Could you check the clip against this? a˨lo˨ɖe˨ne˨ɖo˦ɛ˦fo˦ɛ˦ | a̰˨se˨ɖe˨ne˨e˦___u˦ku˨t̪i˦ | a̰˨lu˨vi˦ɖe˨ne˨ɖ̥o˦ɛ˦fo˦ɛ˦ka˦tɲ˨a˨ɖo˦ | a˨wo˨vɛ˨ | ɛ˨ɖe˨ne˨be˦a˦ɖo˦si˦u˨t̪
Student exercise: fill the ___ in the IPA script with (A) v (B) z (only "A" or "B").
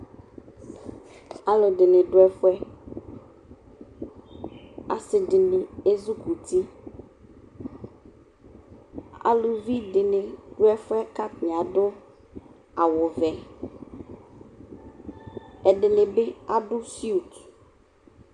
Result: B